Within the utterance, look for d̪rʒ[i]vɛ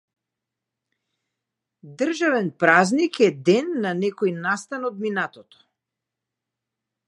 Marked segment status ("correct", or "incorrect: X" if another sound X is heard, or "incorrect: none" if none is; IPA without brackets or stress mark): incorrect: a